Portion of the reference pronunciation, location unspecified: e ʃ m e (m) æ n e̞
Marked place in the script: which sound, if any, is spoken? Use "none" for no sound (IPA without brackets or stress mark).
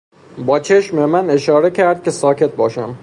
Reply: m